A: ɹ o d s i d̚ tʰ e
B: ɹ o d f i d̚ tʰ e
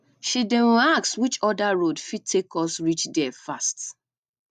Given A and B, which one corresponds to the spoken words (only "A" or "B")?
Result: B